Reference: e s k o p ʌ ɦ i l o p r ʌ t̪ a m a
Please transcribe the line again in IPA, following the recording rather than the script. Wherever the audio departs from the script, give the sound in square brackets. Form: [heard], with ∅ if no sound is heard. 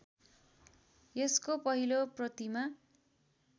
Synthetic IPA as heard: e s k o p ʌ ɦ i l o p r ʌ t̪ [i] m a